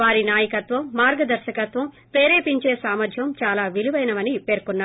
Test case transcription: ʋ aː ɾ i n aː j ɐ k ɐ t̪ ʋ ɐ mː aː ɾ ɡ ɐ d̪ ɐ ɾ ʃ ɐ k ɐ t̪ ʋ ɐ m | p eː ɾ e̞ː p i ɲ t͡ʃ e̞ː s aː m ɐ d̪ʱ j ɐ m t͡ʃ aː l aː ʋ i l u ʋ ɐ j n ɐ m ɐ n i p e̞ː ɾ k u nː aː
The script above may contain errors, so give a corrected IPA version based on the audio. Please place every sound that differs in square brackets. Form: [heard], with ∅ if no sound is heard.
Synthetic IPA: ʋ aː ɾ i n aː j ɐ k ɐ t̪ ʋ ɐ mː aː ɾ ɡ ɐ d̪ ɐ ɾ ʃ ɐ k ɐ t̪ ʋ ɐ m | p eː ɾ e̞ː p i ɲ t͡ʃ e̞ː s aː m ɐ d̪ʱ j ɐ m t͡ʃ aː l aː ʋ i l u ʋ ɐ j n ɐ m ɐ n i p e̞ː ɾ k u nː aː